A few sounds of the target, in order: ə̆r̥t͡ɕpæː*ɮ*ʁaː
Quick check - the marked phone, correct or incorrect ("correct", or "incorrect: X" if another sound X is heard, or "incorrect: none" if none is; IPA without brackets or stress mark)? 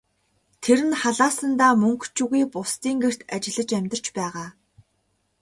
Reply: incorrect: none